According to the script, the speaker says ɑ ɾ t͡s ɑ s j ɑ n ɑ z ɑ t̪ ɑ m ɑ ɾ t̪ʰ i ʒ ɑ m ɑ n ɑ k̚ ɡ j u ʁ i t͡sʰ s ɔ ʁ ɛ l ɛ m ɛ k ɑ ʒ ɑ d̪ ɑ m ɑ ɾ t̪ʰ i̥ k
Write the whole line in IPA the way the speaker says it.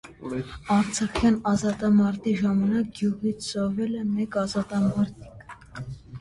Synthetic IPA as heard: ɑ ɾ t͡sʰ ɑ χ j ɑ n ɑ z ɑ t̪ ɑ m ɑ ɾ t̪ i ʒ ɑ m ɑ n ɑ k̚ ɡ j u ʁ i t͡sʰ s ɔ v ɛ l ɛ m ɛ k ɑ z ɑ t̪ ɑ m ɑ ɾ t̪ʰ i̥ k